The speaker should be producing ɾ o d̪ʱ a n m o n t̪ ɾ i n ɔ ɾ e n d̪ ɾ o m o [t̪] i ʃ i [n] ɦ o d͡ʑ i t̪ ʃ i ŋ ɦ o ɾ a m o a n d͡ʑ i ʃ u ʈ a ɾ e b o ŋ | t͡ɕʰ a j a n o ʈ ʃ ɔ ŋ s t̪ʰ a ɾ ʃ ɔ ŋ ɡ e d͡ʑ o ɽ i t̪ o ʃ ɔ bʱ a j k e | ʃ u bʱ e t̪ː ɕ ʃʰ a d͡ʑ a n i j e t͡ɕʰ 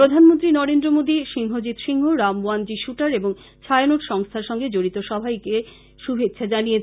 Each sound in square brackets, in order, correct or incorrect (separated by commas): incorrect, incorrect